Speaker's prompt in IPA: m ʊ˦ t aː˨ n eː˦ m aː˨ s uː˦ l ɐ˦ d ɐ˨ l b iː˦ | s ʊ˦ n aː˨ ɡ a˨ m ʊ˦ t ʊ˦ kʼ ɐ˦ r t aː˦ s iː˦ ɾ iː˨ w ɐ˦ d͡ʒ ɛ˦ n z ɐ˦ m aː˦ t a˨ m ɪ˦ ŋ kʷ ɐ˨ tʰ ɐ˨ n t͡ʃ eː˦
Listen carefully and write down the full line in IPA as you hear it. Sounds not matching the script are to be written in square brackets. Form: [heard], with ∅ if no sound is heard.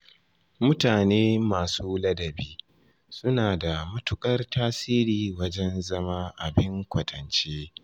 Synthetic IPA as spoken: m ʊ˦ t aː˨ n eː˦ m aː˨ s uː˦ l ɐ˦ d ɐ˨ [∅] b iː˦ | s ʊ˦ n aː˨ [d] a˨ m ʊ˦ t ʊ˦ kʼ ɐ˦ r t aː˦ s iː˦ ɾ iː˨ w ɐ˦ d͡ʒ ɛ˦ n z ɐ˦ m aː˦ [ʔ] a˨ [b] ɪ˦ ŋ kʷ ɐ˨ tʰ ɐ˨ n t͡ʃ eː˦

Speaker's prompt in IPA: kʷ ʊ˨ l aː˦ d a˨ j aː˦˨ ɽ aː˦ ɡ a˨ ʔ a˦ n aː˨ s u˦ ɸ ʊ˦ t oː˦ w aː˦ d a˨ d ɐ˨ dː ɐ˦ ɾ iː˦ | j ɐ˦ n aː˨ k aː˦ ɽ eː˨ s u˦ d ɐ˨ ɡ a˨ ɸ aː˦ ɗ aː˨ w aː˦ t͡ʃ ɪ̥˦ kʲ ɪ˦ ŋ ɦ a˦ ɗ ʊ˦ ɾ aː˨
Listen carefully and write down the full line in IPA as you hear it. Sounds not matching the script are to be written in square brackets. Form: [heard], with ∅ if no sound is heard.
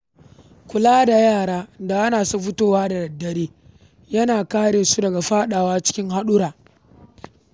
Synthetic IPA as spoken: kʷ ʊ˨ l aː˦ d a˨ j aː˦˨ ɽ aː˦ [d] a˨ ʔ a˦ n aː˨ s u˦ ɸ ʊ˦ t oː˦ w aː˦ d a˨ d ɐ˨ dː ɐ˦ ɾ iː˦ | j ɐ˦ n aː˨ k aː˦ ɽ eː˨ s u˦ d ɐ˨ ɡ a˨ ɸ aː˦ ɗ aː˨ w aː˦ t͡ʃ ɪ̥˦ kʲ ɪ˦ ŋ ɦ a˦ ɗ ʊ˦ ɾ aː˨

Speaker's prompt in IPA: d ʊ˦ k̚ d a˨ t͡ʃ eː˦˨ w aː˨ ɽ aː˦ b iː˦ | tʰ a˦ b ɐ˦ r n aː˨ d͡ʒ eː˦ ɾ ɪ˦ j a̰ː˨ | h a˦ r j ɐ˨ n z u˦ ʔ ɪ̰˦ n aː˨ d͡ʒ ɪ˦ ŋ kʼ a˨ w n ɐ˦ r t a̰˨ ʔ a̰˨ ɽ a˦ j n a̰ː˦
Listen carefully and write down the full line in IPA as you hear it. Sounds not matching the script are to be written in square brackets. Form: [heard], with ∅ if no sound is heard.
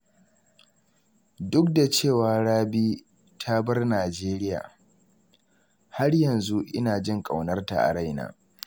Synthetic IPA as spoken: d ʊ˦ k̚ d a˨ t͡ʃ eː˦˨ w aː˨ ɽ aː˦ b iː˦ | tʰ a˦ b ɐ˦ r n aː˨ d͡ʒ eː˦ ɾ ɪ˦ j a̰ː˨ | h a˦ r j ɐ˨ n z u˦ ʔ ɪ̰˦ n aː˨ d͡ʒ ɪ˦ ŋ kʼ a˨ w n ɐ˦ r t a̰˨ ʔ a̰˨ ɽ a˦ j n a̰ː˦

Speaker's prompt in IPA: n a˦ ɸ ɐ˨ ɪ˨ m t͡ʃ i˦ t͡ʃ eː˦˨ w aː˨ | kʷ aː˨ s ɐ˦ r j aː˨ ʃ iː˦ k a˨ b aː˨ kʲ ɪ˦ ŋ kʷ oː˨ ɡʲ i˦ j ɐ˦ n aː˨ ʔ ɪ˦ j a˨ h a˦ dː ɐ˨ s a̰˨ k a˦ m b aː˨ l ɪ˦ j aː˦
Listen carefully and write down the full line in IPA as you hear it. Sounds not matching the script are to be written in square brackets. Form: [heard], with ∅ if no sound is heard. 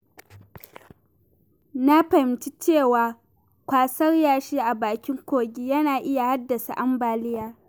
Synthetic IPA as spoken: n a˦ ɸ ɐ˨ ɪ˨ m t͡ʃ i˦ t͡ʃ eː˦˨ w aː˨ | kʷ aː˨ s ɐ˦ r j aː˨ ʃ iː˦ [ʔ] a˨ b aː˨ kʲ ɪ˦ ŋ kʷ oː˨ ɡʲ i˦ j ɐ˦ n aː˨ ʔ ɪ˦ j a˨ h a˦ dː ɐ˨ s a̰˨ [ʔ] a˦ m b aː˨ l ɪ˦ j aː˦

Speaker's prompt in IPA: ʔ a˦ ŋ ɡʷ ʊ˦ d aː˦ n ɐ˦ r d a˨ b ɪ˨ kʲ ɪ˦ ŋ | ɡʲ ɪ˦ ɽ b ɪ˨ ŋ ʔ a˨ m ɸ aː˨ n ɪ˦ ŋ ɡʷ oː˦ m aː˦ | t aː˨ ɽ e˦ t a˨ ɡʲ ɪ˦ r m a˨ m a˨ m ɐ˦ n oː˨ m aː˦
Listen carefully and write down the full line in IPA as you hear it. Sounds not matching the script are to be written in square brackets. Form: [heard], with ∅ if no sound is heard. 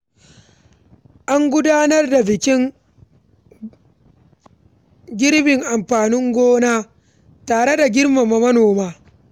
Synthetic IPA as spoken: ʔ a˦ ŋ ɡʷ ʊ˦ d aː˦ n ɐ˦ r d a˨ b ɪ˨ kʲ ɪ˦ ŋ | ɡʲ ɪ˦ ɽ b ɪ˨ ŋ ʔ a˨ m ɸ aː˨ n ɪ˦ ŋ ɡʷ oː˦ [n] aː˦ | t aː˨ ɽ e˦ [d] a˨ ɡʲ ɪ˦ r m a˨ m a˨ m ɐ˦ n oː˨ m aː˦

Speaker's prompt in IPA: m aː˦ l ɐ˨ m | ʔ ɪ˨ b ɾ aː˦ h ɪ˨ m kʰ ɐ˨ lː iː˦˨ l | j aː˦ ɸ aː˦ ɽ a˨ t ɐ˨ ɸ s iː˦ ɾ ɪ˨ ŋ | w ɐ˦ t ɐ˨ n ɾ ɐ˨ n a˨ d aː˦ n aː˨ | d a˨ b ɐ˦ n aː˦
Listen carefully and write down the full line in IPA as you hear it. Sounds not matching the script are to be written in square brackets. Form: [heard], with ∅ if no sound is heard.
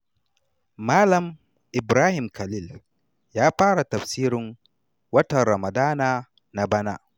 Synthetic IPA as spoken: m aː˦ l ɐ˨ m | ʔ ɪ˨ b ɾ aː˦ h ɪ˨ m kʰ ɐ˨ [l] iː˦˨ l | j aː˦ ɸ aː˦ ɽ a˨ t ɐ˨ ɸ s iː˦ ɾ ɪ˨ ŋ | w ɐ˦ t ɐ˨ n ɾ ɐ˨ [m] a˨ d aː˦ n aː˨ | [n] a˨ b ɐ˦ n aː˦

